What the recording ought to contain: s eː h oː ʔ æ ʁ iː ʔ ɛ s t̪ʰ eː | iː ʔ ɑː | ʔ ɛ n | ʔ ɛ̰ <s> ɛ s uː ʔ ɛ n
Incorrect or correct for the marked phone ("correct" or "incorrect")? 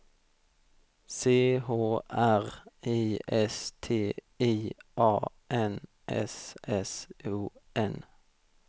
correct